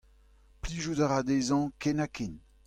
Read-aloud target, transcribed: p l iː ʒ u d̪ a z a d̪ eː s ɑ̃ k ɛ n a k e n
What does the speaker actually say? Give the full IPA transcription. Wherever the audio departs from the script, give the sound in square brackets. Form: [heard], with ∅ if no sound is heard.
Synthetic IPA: p l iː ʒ u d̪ a [ʁ] a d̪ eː [z] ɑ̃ k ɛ n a k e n